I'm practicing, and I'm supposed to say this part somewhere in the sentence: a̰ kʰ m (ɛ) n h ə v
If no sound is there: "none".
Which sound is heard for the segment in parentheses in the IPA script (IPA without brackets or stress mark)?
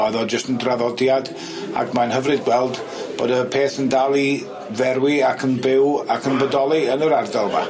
a